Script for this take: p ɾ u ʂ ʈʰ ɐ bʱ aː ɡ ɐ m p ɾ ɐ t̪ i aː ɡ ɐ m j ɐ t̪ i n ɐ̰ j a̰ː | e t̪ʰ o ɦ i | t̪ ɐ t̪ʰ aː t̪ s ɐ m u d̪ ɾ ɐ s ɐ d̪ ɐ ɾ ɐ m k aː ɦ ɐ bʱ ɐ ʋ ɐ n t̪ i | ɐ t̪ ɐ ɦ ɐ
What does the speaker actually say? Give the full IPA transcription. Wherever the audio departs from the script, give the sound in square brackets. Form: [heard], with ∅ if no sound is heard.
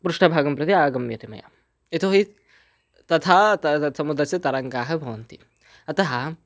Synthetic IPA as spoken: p ɾ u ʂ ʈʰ ɐ bʱ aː ɡ ɐ m p ɾ ɐ t̪ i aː ɡ ɐ m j ɐ t̪ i [m] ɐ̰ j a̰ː | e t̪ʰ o ɦ i | t̪ ɐ t̪ʰ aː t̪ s ɐ m u d̪ ɾ ɐ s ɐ [t̪] ɐ ɾ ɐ [ŋ] k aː ɦ ɐ bʱ ɐ ʋ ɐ n t̪ i | ɐ t̪ ɐ ɦ ɐ